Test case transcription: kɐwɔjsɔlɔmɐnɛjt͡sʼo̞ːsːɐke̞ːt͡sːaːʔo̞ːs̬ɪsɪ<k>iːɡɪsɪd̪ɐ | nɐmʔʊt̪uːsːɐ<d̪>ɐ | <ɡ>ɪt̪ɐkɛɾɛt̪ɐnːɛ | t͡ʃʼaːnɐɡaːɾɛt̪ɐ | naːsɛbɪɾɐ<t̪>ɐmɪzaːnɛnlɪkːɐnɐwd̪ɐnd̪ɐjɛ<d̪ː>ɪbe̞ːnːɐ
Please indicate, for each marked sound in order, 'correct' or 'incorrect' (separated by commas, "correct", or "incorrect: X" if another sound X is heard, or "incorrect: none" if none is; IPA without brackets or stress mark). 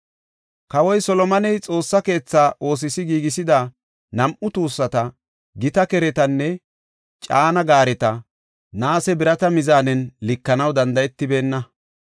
incorrect: ɡ, incorrect: t̪, correct, correct, incorrect: t̪ː